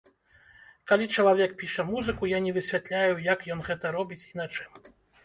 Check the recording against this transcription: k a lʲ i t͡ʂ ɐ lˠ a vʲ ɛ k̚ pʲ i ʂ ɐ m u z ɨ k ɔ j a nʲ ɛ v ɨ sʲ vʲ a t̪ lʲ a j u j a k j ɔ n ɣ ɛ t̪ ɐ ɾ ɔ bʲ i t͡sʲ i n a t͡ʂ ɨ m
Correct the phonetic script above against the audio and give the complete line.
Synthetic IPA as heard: k a lʲ i t͡ʂ ɐ lˠ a vʲ ɛ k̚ pʲ i ʂ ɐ m u z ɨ k u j a nʲ ɛ v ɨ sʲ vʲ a t̪ lʲ a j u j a k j ɔ n ɣ ɛ t̪ ɐ ɾ ɔ bʲ i t͡sʲ i n a t͡ʂ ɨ m